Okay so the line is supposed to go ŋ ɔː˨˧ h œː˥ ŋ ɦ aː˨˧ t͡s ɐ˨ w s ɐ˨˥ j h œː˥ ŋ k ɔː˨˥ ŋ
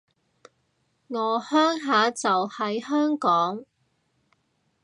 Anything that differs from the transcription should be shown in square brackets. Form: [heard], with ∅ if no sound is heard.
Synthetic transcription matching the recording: ŋ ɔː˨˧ h œː˥ ŋ ɦ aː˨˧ t͡s ɐ˨ w [h] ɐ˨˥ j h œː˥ ŋ k ɔː˨˥ ŋ